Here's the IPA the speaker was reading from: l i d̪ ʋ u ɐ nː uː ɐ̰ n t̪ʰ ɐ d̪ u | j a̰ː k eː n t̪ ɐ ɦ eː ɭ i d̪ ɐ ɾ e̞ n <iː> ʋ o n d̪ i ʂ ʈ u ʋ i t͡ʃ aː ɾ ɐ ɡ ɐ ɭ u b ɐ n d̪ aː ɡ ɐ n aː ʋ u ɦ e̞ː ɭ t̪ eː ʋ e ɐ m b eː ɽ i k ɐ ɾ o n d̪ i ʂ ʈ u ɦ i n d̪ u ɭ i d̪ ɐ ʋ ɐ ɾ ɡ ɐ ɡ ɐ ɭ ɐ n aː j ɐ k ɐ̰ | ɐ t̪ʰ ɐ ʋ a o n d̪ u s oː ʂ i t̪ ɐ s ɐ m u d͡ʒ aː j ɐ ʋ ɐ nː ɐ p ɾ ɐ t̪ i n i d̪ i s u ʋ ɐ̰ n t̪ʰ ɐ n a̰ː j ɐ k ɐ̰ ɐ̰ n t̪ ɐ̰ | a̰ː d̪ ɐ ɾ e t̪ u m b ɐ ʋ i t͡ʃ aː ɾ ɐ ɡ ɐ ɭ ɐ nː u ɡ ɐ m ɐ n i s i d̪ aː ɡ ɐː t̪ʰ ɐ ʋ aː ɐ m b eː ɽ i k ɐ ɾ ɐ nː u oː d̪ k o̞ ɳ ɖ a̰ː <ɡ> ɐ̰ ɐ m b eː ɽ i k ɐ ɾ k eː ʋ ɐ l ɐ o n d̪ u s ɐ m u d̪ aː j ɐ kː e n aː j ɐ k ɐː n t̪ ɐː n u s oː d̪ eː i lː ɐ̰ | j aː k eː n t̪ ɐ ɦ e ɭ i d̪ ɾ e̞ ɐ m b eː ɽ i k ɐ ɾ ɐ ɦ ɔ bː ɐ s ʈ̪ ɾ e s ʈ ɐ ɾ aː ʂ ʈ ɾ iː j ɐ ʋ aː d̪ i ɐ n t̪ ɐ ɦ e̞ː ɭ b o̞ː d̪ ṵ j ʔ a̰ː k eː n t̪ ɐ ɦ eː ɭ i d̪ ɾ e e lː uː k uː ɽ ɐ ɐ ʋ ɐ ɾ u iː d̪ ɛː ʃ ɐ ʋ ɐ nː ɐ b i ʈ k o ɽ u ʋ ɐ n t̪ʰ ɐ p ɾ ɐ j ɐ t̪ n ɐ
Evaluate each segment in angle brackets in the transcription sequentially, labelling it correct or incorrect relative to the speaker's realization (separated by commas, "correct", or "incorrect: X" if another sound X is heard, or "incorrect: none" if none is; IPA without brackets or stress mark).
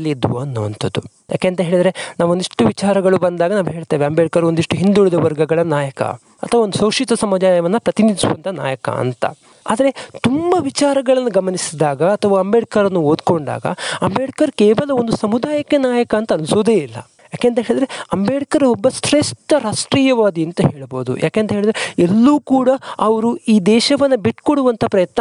incorrect: aː, correct